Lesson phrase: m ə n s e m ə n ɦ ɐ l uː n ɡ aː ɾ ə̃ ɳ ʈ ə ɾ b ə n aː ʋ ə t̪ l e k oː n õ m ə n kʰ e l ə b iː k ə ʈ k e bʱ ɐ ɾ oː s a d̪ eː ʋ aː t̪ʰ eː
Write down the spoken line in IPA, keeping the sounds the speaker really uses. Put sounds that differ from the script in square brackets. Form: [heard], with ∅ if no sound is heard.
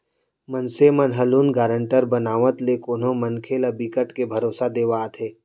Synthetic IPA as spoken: m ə n s e m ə n ɦ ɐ l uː n ɡ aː ɾ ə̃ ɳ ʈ ə ɾ b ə n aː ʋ ə t̪ l e k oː n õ m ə n kʰ e l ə b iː k ə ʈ k e bʱ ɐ ɾ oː s a d̪ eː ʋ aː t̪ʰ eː